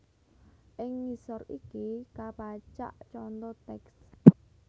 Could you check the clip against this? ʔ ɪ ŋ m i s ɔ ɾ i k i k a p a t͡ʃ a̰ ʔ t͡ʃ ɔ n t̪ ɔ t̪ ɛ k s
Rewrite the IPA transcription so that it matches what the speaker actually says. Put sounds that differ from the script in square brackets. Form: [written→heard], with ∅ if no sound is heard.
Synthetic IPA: ʔ ɪ ŋ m i s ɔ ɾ i k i k a p a t͡ʃ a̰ ʔ t͡ʃ ɔ n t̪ ɔ t̪ ɛ k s